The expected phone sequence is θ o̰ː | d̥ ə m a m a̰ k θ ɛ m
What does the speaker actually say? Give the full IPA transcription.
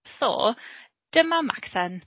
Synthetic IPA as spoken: θ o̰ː | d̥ ə m a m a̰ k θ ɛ n